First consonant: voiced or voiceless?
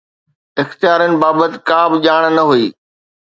voiceless